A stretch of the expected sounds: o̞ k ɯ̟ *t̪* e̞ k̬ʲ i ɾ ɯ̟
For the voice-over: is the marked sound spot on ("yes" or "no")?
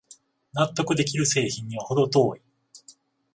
no